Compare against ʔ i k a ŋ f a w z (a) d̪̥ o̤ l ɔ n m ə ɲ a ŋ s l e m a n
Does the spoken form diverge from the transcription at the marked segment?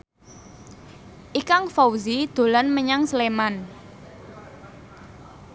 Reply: yes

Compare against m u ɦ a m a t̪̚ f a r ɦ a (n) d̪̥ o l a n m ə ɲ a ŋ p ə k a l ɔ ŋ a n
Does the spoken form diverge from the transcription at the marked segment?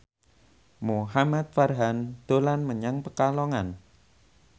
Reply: no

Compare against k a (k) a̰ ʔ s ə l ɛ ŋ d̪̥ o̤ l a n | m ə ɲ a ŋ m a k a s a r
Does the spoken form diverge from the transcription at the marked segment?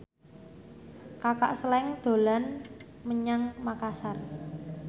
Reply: no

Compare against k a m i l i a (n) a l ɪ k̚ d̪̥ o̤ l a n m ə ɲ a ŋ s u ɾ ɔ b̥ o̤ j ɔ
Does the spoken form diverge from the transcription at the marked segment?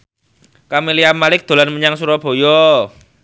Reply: yes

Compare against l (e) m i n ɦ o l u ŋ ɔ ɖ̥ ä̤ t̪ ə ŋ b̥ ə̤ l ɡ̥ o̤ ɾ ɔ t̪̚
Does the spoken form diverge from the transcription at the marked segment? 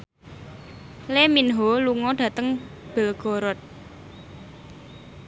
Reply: no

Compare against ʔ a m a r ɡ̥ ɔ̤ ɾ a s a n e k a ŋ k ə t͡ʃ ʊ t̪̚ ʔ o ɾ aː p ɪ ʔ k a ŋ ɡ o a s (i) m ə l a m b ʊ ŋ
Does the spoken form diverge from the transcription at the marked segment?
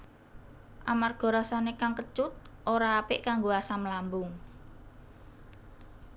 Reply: yes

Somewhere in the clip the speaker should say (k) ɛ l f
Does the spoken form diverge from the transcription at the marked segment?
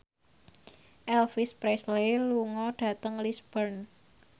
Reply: yes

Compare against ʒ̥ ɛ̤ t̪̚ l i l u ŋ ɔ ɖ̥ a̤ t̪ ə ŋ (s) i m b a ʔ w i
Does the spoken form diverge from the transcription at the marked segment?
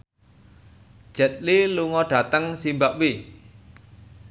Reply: no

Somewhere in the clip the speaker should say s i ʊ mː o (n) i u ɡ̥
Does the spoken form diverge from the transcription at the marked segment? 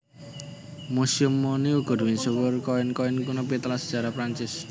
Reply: no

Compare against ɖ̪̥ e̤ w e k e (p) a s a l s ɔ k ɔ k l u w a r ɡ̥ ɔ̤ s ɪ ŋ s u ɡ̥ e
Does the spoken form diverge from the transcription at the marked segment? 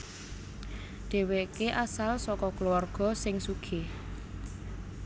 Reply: yes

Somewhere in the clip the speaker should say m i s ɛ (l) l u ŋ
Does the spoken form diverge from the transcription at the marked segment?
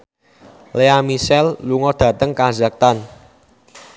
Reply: no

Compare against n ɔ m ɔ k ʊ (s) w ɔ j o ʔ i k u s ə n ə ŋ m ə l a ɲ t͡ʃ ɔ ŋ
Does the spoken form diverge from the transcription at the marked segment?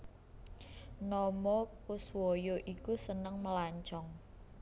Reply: no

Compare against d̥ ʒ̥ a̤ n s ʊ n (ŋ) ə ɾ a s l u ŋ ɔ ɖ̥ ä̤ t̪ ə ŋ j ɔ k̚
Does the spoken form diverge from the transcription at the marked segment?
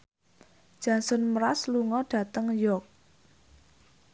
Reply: yes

